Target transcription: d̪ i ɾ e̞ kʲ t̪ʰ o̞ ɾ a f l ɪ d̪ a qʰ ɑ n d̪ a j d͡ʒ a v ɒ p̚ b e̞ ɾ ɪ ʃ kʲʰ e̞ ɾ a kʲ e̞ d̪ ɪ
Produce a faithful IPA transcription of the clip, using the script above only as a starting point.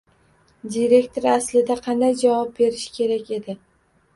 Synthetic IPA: d̪ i ɾ e̞ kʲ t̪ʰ o̞ ɾ a s l ɪ d̪ a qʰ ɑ n d̪ a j d͡ʒ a v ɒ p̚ b e̞ ɾ ɪ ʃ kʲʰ e̞ ɾ a kʲ e̞ d̪ ɪ